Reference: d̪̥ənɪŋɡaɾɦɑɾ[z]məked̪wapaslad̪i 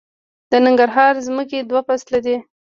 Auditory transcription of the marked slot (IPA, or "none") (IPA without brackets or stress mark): z